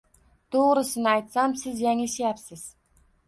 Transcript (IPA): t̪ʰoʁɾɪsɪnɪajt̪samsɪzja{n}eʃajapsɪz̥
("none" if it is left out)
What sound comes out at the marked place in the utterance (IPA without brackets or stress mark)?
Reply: ŋ